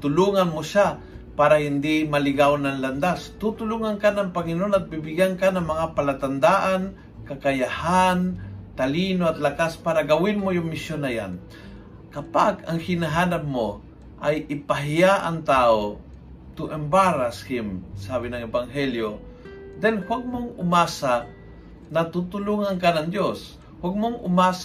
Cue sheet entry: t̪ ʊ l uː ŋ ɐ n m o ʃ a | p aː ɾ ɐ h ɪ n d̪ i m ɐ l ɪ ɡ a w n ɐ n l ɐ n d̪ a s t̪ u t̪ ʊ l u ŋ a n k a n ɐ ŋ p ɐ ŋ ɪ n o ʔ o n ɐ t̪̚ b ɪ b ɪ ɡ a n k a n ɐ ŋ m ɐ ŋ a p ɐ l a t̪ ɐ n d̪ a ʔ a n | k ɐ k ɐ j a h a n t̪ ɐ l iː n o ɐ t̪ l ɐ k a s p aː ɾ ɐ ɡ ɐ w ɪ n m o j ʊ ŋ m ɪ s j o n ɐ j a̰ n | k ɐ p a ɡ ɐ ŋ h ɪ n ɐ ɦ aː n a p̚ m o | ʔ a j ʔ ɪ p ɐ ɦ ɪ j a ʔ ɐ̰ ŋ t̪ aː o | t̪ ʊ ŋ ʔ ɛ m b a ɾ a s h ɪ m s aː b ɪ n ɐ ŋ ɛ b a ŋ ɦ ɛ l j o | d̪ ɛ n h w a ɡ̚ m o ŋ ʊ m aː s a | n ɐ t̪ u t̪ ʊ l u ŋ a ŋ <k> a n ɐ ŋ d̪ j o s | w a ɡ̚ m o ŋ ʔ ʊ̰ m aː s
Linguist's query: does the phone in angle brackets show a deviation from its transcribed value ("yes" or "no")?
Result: no